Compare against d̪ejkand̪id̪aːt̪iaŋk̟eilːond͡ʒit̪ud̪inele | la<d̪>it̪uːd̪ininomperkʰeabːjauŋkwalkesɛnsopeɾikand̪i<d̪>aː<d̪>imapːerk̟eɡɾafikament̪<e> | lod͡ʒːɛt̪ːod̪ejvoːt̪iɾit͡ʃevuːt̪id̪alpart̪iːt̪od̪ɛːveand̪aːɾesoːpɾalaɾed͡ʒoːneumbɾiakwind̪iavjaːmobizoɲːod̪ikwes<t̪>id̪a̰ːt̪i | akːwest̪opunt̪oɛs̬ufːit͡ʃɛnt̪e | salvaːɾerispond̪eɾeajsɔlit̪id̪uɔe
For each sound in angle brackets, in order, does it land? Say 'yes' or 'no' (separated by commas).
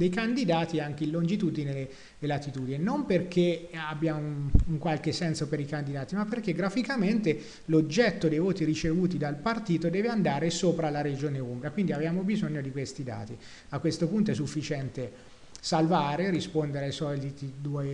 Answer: no, yes, no, yes, yes